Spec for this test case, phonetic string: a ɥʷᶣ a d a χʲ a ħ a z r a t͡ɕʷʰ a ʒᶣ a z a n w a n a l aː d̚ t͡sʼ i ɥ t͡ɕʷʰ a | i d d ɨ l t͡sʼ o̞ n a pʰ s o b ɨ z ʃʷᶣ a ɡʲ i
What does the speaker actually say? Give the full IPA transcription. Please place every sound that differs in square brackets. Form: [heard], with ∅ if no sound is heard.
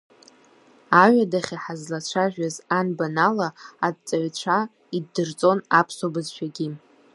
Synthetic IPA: a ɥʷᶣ a d a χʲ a ħ a z [l] a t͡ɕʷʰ a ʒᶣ a z a n [b] a n a l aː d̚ t͡sʼ [a] ɥ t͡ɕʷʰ a | i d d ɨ [r] t͡sʼ o̞ n a pʰ s o b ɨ z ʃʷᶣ a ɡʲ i